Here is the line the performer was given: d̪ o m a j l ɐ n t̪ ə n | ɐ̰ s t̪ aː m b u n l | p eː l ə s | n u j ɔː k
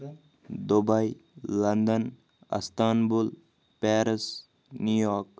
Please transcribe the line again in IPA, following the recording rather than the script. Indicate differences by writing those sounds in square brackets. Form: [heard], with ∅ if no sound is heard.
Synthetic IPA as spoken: d̪ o [b] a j l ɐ n [d̪] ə n | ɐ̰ s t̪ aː [n] b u [∅] l | p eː [ɾ] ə s | n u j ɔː k